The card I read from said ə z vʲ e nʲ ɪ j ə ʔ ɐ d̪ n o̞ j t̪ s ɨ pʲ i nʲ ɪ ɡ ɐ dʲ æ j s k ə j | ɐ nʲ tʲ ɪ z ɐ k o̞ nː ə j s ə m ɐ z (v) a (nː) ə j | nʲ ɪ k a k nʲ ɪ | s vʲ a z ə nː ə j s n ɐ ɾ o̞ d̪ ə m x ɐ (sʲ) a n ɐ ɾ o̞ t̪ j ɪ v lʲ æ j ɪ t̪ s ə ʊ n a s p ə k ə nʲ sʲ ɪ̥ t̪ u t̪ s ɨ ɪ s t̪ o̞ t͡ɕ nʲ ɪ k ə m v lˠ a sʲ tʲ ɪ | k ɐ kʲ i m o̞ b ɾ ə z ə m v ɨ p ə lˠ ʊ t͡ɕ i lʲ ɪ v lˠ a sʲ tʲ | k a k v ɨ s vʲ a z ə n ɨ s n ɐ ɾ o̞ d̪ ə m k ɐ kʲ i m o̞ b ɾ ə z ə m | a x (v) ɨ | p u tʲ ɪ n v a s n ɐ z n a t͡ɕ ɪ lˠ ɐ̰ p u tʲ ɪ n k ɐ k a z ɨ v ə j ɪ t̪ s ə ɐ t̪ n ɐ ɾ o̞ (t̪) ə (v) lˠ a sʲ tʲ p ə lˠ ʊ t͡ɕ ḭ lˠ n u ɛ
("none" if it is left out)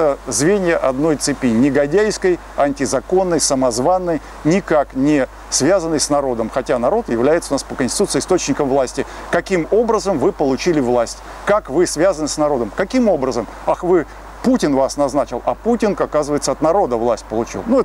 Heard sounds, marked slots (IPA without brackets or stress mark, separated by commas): v, nː, tʲ, v, d̪, v